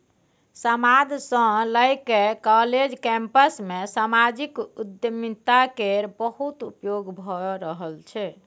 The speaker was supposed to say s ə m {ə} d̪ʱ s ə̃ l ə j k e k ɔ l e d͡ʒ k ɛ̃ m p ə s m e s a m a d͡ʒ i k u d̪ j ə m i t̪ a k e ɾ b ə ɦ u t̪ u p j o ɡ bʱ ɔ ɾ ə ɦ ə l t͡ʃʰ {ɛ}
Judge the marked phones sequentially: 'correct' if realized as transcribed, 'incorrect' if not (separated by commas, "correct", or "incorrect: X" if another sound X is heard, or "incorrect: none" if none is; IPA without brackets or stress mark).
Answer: incorrect: a, correct